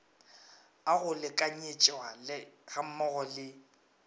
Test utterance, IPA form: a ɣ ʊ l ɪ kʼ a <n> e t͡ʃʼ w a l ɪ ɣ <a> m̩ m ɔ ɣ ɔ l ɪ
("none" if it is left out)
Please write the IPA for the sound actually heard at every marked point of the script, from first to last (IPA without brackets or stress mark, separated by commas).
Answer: ɲ, a